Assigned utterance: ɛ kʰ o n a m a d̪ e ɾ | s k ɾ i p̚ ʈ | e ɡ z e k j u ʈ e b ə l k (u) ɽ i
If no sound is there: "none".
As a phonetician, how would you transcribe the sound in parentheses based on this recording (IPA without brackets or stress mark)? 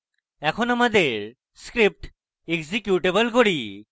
o